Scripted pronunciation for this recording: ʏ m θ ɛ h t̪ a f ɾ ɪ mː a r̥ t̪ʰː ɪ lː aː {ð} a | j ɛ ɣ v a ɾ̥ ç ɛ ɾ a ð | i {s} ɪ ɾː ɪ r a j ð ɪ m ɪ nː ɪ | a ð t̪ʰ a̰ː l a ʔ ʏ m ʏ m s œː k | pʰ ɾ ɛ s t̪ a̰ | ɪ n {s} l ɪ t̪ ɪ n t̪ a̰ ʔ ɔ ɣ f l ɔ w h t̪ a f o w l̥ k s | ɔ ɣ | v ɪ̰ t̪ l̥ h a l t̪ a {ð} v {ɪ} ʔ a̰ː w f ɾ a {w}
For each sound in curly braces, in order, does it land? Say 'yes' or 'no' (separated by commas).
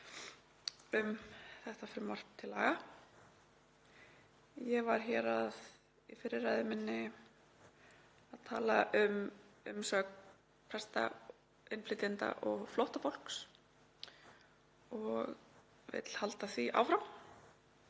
no, no, no, no, no, yes